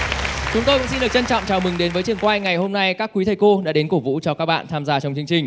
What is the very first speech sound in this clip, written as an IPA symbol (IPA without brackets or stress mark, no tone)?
t͡ɕ